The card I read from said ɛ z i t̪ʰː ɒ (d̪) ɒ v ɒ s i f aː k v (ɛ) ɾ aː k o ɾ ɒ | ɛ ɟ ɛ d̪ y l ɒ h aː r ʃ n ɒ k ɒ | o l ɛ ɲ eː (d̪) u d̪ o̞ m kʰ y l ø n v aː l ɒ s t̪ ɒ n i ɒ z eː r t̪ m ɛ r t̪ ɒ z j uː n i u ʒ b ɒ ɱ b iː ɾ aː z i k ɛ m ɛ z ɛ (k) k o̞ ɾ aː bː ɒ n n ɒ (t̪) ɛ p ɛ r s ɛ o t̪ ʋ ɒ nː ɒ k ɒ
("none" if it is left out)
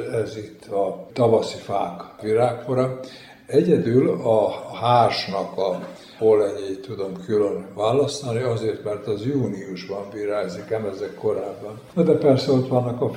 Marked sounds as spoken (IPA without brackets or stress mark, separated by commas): t̪, i, t̪, k, d̪